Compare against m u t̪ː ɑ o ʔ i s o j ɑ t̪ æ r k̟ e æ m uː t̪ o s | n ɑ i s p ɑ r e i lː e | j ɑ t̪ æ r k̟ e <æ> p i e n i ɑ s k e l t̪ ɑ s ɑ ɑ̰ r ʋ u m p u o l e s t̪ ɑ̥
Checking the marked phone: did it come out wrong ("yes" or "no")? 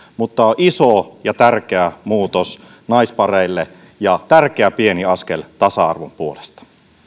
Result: no